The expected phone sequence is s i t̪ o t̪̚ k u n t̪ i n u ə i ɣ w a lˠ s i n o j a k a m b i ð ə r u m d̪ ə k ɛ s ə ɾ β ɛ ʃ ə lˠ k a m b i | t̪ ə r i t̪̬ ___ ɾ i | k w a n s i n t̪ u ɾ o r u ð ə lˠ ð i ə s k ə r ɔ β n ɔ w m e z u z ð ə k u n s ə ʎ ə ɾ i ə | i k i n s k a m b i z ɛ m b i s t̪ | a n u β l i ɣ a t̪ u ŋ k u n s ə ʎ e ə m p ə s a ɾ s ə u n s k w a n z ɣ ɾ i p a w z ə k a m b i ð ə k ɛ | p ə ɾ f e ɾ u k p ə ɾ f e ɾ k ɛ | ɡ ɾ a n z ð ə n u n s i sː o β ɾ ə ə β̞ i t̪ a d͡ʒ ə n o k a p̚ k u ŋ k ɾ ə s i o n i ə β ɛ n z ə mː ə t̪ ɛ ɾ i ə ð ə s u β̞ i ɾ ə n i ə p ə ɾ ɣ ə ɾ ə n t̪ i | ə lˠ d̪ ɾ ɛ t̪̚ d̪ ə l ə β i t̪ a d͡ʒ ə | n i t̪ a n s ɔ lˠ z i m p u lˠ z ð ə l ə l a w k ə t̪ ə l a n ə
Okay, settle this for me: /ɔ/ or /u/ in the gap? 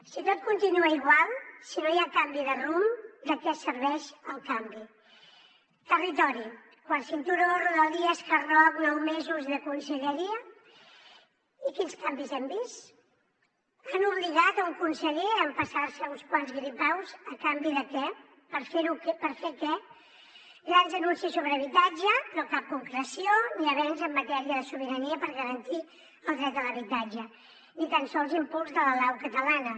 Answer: ɔ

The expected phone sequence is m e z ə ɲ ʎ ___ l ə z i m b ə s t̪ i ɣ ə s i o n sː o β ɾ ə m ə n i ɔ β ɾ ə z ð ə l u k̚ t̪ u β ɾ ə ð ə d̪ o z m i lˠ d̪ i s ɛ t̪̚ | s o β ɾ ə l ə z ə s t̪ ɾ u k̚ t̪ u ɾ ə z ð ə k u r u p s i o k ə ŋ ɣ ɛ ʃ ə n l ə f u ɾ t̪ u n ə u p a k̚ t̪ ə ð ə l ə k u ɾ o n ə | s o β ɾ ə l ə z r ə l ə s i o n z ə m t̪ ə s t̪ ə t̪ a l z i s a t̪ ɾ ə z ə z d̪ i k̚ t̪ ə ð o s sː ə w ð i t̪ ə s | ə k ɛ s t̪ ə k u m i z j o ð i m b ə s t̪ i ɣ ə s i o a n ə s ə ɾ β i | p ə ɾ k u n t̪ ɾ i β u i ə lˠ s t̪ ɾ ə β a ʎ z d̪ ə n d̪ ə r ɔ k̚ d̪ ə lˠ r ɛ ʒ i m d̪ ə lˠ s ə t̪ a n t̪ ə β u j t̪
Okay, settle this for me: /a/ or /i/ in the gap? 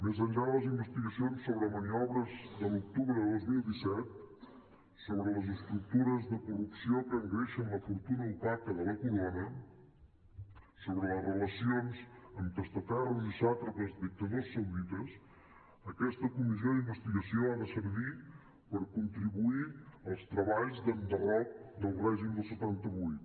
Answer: a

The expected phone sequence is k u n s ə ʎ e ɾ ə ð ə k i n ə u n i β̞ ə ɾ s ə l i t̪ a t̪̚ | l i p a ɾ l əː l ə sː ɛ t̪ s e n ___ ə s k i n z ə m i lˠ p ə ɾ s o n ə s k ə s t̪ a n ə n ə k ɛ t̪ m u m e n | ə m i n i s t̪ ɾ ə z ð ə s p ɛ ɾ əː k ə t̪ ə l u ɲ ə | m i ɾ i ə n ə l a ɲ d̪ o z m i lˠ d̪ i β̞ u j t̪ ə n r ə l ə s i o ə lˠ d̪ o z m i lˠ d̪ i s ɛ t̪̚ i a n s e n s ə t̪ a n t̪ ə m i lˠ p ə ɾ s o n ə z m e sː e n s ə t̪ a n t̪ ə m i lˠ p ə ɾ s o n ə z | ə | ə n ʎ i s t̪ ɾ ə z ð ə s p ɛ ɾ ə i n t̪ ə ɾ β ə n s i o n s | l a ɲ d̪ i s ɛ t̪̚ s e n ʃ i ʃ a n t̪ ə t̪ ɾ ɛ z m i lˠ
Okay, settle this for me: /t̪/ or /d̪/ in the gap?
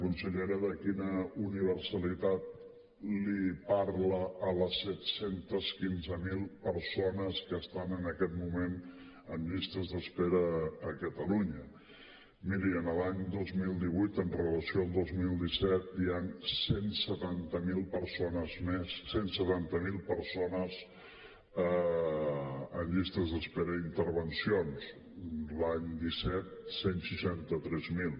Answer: t̪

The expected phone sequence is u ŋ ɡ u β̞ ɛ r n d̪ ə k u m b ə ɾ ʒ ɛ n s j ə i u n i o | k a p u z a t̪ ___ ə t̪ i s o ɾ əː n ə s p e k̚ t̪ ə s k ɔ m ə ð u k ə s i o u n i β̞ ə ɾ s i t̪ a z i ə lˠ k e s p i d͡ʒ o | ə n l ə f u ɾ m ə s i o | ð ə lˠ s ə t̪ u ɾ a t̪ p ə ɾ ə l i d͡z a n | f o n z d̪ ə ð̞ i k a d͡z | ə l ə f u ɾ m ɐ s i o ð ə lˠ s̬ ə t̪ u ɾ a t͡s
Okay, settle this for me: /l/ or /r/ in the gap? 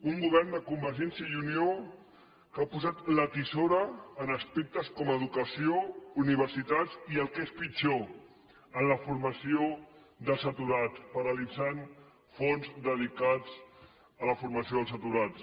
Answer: l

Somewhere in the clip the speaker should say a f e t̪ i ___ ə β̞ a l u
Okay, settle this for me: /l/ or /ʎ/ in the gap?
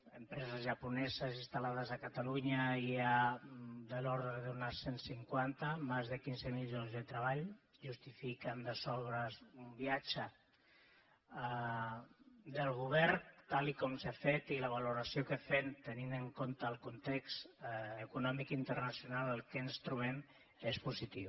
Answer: l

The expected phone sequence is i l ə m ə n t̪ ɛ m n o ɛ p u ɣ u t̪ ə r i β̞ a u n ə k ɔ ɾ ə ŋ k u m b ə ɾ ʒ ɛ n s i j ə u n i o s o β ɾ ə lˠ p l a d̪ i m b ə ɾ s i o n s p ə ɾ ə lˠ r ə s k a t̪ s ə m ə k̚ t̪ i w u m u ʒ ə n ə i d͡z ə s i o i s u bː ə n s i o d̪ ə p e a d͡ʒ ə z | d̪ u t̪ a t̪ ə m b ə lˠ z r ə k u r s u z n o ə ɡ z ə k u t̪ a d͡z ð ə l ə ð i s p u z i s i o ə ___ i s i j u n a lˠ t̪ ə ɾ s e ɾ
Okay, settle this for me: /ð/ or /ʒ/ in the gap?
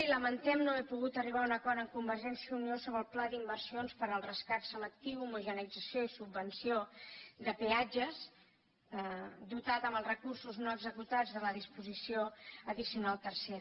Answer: ð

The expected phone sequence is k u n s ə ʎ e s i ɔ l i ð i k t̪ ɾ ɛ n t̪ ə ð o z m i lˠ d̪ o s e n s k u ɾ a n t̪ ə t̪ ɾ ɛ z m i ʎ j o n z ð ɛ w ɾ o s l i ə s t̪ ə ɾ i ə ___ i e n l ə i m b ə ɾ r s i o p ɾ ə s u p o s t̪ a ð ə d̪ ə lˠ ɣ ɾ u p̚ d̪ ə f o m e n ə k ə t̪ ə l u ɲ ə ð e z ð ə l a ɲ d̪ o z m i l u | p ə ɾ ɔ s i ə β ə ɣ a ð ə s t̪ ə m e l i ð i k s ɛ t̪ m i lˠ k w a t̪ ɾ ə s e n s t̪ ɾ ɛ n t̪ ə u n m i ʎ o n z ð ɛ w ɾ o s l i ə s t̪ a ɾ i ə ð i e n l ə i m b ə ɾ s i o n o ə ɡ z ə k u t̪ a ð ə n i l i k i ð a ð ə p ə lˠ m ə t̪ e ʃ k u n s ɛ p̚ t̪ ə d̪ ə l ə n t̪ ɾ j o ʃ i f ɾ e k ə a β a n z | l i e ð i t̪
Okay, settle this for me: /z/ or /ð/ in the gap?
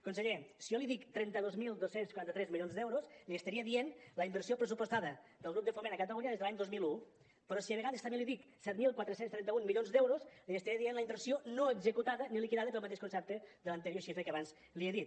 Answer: ð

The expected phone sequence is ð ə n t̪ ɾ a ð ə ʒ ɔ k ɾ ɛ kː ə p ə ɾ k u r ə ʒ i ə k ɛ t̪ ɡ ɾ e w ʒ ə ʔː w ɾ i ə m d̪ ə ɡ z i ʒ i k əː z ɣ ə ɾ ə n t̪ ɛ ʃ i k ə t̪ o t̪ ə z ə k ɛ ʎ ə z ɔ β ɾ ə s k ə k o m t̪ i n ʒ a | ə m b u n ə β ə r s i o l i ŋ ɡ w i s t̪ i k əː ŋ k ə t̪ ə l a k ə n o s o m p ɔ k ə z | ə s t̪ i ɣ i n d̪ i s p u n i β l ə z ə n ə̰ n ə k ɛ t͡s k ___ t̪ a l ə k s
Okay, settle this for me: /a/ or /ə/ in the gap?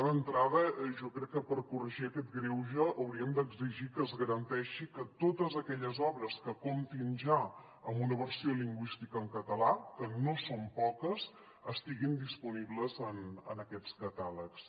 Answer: ə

